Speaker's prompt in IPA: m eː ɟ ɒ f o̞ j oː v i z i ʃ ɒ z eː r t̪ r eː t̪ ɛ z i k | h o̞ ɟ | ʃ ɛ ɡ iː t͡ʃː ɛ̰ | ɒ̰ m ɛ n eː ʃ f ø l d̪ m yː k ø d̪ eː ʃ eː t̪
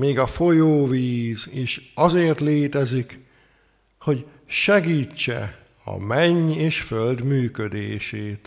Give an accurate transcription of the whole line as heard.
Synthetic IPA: m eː ɡ ɒ f o̞ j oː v iː z i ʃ ɒ z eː r t̪ l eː t̪ ɛ z i k | h o̞ ɟ | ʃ ɛ ɡ iː t͡ʃː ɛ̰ | ɒ̰ m ɛ ɲ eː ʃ f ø l d̪ m yː k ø d̪ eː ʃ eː t̪